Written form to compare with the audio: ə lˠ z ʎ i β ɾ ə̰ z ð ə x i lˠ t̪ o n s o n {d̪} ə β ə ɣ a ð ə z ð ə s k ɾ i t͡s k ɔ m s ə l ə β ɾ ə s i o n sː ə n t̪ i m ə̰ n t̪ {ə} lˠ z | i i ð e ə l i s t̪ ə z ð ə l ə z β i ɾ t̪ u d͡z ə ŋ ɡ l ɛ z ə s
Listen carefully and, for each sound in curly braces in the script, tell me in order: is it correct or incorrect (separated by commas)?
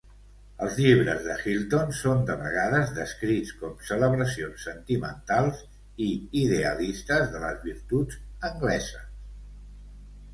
correct, incorrect